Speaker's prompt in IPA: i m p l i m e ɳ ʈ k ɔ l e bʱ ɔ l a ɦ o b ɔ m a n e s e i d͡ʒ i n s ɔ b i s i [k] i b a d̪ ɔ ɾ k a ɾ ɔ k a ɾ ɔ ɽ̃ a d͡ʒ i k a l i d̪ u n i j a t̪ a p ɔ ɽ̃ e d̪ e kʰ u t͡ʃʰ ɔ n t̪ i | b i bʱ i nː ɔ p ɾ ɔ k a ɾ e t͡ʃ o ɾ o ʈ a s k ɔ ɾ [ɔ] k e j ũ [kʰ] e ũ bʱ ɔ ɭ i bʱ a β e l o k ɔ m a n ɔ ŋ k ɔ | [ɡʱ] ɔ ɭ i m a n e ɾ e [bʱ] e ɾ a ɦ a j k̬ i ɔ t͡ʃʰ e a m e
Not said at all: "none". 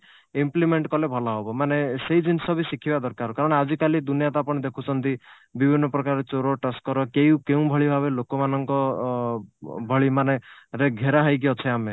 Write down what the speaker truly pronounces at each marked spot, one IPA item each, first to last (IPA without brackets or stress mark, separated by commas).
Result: kʰ, ɔ, k, bʱ, ɡʱ